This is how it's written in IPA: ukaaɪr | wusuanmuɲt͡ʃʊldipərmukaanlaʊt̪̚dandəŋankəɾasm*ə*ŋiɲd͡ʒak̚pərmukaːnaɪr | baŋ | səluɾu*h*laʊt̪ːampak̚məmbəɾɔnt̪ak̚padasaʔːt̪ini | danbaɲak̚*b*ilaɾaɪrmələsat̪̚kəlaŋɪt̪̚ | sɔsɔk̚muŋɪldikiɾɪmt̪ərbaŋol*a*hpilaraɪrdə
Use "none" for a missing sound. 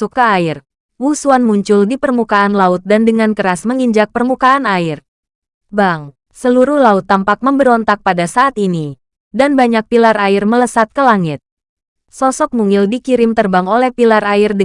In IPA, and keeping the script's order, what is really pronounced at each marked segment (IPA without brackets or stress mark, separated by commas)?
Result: ə, h, p, ɛ